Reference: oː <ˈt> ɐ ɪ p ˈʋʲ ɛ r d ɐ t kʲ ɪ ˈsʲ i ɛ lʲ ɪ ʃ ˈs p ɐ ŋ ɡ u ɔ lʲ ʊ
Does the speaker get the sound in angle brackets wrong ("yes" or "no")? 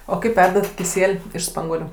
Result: yes